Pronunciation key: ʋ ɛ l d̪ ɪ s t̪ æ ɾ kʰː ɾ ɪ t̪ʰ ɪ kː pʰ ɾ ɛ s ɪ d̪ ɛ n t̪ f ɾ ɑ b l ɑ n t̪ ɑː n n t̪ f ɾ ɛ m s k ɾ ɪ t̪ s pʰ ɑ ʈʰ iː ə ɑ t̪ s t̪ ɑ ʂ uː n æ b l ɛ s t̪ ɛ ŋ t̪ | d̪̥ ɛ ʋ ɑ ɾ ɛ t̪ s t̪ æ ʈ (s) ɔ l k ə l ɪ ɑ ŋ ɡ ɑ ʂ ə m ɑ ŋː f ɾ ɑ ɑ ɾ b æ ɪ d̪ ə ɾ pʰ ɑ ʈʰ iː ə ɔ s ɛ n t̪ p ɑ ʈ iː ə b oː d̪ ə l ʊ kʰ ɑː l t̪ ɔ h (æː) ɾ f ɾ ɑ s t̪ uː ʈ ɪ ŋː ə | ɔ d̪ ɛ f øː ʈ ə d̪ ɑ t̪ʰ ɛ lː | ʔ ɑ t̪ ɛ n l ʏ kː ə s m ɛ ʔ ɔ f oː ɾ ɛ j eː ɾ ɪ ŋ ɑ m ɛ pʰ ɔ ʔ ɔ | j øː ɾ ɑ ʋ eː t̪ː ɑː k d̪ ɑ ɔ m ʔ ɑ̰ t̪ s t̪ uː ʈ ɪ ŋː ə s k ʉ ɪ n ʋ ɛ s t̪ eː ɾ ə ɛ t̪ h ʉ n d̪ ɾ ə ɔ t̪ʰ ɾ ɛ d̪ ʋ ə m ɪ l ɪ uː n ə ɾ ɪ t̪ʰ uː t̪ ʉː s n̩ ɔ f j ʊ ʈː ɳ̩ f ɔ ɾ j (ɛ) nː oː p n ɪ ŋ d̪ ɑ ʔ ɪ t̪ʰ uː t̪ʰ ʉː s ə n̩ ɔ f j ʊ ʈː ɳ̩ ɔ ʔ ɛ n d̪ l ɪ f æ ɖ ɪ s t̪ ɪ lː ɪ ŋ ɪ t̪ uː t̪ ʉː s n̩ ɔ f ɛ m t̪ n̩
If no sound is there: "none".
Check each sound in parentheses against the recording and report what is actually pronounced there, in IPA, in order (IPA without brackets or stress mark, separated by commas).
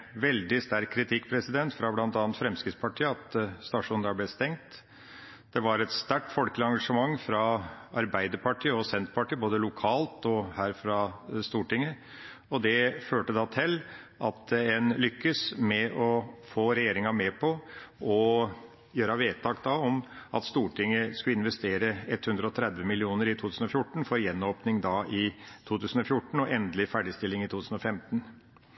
f, æː, ɛ